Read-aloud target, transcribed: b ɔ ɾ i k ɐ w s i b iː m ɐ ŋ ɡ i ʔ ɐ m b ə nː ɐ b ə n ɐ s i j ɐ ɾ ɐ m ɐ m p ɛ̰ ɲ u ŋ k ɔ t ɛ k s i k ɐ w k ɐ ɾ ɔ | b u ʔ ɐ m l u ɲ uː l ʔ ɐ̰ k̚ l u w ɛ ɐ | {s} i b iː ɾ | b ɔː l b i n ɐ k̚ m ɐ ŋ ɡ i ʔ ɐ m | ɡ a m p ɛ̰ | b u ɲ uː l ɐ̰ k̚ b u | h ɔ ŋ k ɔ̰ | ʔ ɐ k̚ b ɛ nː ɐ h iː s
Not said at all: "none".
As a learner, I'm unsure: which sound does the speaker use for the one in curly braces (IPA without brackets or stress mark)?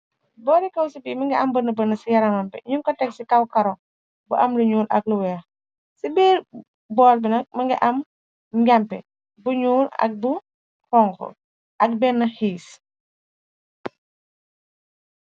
s